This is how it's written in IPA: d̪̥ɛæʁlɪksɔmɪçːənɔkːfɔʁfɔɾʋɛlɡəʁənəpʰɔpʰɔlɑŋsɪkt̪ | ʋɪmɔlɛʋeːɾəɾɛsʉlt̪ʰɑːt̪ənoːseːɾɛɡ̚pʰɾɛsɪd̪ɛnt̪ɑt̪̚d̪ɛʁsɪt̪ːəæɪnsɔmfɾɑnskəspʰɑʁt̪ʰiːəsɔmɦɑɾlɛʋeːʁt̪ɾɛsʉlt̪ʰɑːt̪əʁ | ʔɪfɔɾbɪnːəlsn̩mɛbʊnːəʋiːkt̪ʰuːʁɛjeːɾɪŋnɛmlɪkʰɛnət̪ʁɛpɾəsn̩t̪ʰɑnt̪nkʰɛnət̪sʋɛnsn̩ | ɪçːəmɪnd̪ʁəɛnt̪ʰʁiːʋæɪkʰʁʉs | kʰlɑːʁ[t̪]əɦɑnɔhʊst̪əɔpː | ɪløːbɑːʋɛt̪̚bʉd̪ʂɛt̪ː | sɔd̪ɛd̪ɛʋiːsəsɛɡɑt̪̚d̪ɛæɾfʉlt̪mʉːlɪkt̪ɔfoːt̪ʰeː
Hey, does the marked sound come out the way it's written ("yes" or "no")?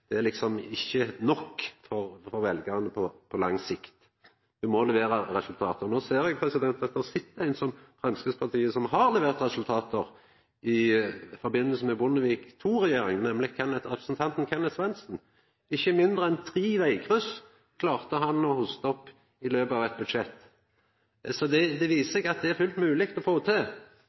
yes